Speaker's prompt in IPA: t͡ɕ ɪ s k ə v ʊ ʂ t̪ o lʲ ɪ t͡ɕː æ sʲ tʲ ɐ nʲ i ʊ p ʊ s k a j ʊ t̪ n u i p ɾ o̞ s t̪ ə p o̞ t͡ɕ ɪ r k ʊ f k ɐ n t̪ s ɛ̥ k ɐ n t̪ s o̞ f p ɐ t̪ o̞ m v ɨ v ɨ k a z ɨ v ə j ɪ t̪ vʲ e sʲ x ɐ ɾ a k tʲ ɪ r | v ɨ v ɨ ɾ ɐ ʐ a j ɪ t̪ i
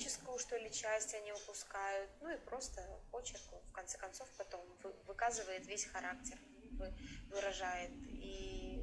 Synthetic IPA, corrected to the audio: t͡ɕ ɪ s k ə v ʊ ʂ t̪ o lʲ ɪ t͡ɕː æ sʲ tʲ ɐ nʲ i ʊ p ʊ s k a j ʊ t̪ n u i p ɾ o̞ s t̪ ə p o̞ t͡ɕ ɪ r k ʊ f k ɐ n t̪ s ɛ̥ k ɐ n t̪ s o̞ f p ɐ t̪ o̞ m v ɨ v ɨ k a z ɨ v ə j ɪ t̪ vʲ e sʲ x ɐ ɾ a k tʲ ɪ r | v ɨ v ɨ ɾ ɐ ʐ a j ɪ t̪ i